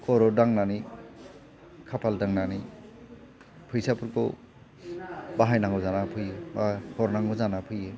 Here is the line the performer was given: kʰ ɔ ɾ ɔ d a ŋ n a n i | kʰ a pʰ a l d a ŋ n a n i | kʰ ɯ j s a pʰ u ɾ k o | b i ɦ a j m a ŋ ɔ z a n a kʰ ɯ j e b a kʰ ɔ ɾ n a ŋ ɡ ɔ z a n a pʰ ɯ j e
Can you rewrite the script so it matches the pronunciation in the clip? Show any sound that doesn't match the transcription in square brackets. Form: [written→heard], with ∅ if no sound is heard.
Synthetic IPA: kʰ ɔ ɾ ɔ d a ŋ n a n i | kʰ a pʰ a l d a ŋ n a n i | [kʰ→pʰ] ɯ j s a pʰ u ɾ k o | b [i→a] ɦ a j [m→n] a ŋ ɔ z a n a [kʰ→pʰ] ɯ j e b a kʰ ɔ ɾ n a ŋ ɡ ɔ z a n a pʰ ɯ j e